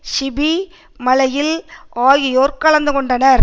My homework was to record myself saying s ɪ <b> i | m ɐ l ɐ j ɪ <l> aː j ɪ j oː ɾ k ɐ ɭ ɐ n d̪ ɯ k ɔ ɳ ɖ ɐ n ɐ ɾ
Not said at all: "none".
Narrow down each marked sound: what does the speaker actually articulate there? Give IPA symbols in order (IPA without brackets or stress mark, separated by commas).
b, l